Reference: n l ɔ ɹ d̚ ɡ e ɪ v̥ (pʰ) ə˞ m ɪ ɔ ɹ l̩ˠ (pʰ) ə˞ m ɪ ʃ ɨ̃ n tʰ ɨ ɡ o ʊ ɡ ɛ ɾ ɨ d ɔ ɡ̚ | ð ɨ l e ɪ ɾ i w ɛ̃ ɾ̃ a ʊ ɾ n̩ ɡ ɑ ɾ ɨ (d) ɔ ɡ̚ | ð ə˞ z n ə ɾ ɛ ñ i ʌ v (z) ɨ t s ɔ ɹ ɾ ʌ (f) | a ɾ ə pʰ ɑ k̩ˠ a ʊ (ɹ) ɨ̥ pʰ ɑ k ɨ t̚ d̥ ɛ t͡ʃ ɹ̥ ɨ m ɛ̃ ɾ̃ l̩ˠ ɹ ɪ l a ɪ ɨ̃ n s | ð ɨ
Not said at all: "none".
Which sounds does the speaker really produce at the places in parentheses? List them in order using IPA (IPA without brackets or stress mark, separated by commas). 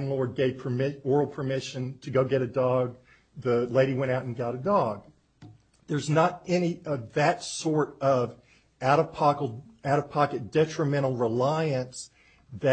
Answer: pʰ, pʰ, d, ð, v, ɾ